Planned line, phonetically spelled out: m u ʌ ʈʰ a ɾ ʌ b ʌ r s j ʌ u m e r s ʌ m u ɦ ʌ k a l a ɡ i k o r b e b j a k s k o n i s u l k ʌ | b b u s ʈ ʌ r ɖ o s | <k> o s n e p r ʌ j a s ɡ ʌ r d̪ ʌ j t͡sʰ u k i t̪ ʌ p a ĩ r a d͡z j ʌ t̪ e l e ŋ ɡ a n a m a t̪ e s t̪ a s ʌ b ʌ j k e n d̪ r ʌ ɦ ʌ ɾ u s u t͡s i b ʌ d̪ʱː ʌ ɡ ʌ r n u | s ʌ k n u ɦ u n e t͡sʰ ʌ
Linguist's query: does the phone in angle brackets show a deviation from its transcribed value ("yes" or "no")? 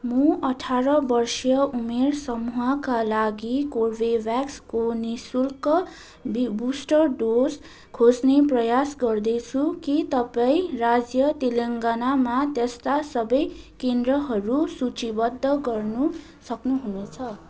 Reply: yes